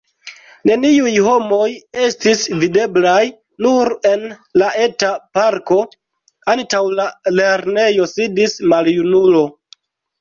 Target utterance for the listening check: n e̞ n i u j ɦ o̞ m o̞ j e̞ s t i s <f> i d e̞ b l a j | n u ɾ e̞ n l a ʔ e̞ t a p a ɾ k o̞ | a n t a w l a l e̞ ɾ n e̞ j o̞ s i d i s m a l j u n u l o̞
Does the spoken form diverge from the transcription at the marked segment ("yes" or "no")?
yes